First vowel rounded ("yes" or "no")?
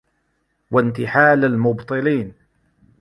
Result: no